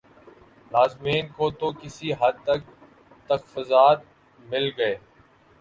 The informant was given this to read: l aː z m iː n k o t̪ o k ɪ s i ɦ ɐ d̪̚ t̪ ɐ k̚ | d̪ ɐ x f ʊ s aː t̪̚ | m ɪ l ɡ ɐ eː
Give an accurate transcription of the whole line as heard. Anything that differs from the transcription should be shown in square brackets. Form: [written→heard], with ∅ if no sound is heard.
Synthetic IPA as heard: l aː z m iː n k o t̪ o k ɪ s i ɦ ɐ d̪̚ t̪ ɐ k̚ | [d̪→t̪] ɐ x f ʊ [s→z] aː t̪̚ | m ɪ l ɡ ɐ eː

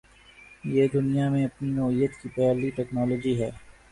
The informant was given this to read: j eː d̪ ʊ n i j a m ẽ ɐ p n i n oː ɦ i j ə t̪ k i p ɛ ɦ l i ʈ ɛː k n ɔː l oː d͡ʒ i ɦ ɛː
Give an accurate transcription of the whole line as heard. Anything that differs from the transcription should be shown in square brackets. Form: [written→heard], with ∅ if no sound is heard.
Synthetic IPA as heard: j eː d̪ ʊ n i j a m ẽ ɐ p n i n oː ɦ i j ə t̪ k i p ɛ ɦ l i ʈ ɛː k n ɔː l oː d͡ʒ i ɦ ɛː

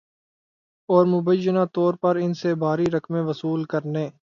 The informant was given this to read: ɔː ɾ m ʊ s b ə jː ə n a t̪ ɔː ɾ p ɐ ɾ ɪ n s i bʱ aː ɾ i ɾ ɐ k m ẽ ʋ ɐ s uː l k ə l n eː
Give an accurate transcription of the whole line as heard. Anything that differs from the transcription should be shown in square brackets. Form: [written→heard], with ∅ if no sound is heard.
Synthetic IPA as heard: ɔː ɾ m ʊ [s→∅] b ə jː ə n a t̪ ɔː ɾ p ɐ ɾ ɪ n s [i→e] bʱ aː ɾ i ɾ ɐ k m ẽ ʋ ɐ s uː l k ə [l→ɾ] n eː

